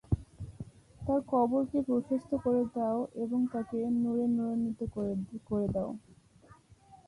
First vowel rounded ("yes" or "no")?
no